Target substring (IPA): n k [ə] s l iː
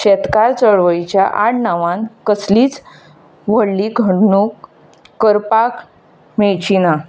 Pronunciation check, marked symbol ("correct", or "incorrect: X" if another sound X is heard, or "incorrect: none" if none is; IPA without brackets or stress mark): correct